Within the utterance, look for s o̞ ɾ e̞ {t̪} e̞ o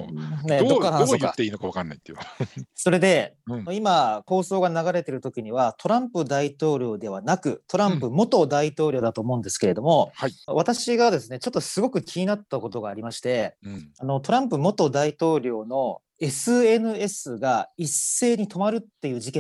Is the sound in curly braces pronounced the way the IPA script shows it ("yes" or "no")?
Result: no